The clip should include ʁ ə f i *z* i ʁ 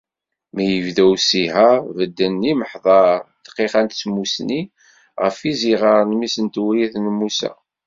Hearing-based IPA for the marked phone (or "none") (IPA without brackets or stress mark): z